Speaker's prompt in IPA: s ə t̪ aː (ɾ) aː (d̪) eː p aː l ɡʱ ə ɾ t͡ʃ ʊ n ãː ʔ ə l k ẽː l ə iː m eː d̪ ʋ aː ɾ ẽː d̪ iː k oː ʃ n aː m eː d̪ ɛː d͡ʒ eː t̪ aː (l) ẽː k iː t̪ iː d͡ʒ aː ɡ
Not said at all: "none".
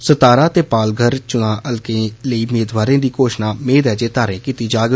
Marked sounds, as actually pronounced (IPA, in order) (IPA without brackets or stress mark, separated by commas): ɾ, t̪, ɾ